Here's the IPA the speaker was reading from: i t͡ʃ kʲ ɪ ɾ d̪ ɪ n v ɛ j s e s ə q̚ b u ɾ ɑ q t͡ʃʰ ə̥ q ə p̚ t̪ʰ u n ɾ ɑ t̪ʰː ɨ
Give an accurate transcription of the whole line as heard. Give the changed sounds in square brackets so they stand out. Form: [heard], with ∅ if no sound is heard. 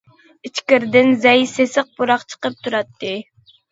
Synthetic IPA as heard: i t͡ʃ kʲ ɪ ɾ d̪ ɪ n [z] ɛ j s e s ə q̚ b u ɾ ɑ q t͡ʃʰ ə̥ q ə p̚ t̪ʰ u [∅] ɾ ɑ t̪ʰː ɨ